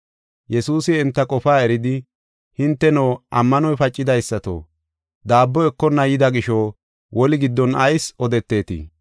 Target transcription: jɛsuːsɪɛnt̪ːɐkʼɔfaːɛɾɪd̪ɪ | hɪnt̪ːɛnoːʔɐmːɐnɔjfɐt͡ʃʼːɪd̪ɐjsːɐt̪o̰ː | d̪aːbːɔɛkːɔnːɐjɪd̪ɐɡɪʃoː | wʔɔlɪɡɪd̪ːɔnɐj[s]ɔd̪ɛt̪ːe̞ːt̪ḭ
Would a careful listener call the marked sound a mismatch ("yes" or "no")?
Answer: no